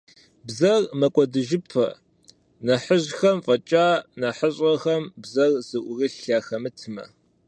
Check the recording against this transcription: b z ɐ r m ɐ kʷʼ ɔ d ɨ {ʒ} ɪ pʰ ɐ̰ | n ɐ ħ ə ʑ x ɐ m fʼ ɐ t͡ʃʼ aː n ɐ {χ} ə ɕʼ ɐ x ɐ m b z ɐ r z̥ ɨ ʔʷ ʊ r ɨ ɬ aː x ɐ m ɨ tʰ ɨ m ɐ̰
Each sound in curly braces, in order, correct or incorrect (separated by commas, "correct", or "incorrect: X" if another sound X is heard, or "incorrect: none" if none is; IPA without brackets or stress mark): correct, incorrect: ħ